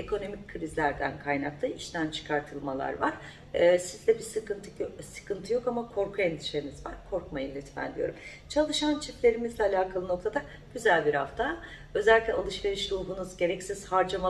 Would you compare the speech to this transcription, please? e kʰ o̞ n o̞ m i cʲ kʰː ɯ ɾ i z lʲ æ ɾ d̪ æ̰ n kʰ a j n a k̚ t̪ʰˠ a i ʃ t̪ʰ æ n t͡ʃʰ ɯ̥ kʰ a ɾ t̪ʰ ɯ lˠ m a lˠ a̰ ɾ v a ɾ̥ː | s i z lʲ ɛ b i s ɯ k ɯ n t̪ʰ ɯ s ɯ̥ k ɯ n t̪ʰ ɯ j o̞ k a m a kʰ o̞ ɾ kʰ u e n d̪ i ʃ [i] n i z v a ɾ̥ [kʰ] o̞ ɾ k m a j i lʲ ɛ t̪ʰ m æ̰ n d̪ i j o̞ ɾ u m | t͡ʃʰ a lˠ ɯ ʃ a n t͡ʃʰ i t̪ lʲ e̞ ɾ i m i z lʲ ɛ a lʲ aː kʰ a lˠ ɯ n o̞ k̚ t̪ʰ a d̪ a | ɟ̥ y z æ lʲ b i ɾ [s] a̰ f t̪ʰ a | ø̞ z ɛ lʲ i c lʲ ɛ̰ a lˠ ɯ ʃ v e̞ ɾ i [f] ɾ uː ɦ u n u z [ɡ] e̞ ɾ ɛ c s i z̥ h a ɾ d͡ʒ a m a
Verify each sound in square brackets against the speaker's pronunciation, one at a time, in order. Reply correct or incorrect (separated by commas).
incorrect, correct, incorrect, incorrect, incorrect